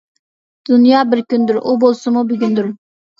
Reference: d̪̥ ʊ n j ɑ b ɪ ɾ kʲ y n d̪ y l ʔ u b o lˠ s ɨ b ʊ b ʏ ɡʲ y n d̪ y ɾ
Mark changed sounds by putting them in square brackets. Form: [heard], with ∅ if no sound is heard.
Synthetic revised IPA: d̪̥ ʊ n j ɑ b ɪ ɾ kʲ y n d̪ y [ɾ] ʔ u b o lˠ s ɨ [m] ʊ b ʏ ɡʲ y n d̪ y ɾ